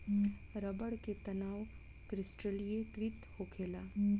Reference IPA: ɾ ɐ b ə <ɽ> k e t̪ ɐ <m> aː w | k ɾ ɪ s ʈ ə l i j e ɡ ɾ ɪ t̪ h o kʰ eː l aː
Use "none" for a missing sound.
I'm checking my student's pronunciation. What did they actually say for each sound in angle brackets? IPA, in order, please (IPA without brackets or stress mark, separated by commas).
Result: ɽ, n